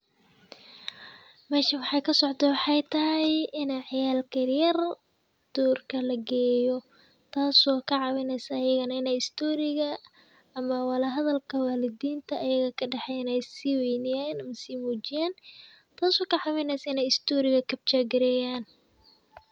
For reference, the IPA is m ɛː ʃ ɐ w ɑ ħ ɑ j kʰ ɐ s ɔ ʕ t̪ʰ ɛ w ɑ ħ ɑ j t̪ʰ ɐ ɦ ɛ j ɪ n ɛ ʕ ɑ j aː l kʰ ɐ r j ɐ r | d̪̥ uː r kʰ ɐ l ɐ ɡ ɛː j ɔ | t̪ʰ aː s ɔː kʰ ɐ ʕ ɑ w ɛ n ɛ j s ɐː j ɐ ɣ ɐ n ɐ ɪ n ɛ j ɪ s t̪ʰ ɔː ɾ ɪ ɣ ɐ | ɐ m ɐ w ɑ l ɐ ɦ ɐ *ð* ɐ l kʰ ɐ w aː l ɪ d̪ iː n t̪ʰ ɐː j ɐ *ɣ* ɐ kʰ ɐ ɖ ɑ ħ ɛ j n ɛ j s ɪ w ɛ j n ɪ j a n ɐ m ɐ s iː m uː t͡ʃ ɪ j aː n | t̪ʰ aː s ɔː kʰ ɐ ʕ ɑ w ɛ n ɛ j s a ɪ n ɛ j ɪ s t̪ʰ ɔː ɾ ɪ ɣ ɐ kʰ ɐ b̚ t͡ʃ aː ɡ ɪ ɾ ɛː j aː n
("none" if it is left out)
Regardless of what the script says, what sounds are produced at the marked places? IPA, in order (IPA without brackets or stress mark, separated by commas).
ð, ɣ